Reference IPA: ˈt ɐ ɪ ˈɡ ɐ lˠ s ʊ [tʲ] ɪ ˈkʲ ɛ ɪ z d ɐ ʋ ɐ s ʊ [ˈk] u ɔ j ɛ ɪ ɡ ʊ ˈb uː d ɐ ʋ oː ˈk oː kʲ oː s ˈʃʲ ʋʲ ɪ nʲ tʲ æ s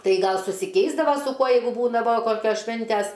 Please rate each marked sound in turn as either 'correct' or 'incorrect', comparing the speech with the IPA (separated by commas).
incorrect, correct